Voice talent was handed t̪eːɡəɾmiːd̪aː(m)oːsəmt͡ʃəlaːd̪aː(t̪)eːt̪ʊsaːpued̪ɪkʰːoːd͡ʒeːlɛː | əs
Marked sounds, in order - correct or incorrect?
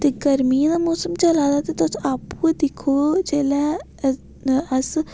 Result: correct, correct

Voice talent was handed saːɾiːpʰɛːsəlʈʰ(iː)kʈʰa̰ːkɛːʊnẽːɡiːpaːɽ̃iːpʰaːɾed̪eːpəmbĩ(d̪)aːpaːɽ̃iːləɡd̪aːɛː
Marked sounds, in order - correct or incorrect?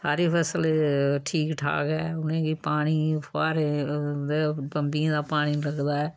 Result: correct, correct

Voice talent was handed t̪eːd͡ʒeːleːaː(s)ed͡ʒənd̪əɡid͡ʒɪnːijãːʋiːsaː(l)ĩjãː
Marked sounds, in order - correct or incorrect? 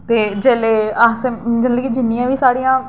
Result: correct, incorrect: ɽ

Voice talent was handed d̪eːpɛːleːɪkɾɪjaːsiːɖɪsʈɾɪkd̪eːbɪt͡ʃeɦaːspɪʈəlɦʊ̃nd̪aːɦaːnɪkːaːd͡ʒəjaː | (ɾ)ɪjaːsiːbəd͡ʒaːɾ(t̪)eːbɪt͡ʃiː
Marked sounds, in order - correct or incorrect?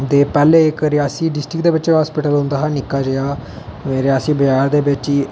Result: correct, incorrect: d̪

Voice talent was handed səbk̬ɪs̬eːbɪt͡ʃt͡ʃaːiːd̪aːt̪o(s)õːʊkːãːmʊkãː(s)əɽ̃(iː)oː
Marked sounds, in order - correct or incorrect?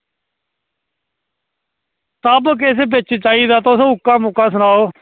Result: correct, correct, incorrect: aː

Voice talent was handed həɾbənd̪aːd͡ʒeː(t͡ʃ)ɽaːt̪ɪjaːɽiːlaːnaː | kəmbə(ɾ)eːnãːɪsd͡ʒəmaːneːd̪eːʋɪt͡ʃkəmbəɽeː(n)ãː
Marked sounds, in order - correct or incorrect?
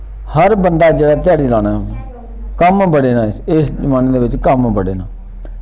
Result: incorrect: none, incorrect: ɽ, correct

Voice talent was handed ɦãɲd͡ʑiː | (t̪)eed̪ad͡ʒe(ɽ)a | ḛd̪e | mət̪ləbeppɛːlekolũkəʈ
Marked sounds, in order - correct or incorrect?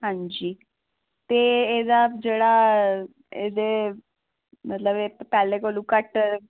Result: correct, correct

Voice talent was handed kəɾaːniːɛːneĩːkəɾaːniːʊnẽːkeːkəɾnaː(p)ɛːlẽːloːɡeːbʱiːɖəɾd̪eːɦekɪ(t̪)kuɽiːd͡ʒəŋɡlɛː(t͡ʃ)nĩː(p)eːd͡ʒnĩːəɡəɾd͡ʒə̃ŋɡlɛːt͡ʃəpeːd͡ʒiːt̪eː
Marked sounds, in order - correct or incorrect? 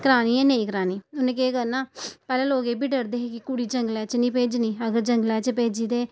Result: correct, incorrect: none, correct, correct

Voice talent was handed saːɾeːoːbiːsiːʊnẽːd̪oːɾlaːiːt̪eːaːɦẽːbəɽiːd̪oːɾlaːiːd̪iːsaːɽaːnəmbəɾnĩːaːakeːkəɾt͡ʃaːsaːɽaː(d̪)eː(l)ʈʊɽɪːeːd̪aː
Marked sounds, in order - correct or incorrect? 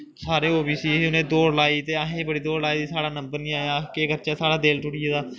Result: correct, correct

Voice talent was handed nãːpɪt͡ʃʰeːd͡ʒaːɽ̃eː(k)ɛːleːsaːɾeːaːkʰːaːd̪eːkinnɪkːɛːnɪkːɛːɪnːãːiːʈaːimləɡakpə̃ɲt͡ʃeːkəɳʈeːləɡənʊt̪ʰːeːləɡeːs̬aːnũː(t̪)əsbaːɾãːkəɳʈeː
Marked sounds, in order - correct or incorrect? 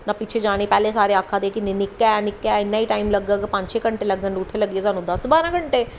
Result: incorrect: p, incorrect: d̪

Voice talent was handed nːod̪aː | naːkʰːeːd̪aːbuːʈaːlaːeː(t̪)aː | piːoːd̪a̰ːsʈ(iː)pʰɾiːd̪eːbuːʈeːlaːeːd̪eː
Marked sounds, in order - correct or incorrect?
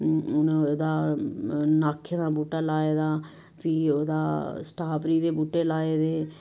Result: incorrect: d̪, incorrect: aː

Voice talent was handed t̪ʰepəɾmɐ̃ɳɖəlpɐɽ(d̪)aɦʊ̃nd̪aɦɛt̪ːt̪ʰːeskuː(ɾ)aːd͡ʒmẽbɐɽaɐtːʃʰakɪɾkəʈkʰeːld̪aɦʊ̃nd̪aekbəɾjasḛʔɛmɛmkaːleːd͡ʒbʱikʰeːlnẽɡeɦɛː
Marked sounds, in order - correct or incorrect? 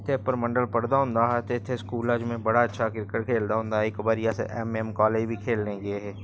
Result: correct, incorrect: l

